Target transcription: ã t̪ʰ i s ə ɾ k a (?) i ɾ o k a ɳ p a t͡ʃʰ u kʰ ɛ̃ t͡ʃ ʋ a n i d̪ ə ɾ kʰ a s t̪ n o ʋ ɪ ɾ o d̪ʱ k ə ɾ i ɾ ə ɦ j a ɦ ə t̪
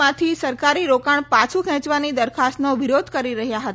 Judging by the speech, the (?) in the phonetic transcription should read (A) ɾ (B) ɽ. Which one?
A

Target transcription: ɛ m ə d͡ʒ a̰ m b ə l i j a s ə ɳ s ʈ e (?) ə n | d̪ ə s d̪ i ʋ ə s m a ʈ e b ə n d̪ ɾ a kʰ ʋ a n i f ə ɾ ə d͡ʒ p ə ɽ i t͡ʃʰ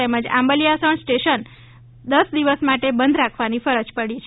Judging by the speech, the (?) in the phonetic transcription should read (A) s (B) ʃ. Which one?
B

